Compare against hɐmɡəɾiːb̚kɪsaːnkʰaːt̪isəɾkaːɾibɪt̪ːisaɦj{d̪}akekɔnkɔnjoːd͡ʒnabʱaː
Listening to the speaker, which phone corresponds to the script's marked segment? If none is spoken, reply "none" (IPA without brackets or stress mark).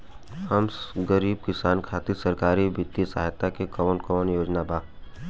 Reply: t̪